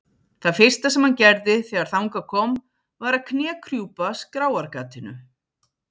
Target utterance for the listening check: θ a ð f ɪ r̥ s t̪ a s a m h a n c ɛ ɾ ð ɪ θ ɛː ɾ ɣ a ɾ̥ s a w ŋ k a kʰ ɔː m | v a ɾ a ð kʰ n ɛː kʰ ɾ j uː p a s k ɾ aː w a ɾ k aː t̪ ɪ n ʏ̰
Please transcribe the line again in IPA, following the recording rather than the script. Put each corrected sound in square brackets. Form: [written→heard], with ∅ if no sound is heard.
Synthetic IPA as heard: θ a ð f ɪ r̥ s t̪ a s [a→ɛ] m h a n c ɛ ɾ ð ɪ θ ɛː [ɾ→∅] ɣ a ɾ̥ [s→θ] a w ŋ k a kʰ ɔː m | v a ɾ a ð kʰ n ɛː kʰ ɾ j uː p a s k ɾ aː w a ɾ k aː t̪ ɪ n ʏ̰

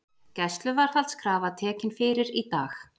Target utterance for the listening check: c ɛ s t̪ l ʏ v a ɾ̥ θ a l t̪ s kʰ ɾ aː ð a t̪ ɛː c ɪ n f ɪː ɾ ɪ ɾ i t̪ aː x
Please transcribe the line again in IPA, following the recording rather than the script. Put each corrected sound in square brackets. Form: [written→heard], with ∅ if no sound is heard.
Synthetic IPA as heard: c ɛ s t̪ l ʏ v a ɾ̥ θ a l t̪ s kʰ ɾ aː [ð→v] a [t̪→t̪ʰ] ɛː c ɪ n f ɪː ɾ ɪ ɾ i t̪ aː x

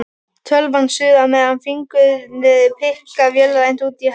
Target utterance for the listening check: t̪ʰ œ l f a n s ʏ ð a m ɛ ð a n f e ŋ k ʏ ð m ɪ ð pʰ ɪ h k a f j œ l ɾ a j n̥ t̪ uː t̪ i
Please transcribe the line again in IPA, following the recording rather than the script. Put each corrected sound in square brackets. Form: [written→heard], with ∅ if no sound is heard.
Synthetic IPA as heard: t̪ʰ œ l [f→v] a n s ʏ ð a m ɛ ð a n f [e→i] ŋ k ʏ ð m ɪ ð pʰ ɪ h k a [f→v] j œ l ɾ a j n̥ t̪ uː t̪ i

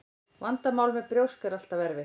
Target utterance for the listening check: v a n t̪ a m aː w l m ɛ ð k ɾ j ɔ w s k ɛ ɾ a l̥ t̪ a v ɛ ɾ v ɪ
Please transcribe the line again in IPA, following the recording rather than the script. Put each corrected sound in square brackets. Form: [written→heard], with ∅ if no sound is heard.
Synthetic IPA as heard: v a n t̪ a m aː w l m ɛ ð [k→p] ɾ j [ɔ→o] w s k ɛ ɾ a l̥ t̪ a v ɛ ɾ v ɪ

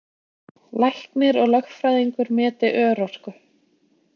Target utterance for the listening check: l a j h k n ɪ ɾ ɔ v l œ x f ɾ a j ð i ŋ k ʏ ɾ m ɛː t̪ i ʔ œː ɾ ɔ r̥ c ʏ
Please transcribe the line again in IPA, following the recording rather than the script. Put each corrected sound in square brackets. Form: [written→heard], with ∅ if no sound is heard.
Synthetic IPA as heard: l a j h k n ɪ ɾ ɔ [v→ɣ] l œ x f ɾ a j ð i ŋ k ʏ ɾ m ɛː t̪ [i→ɪ] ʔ œː ɾ ɔ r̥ [c→k] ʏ

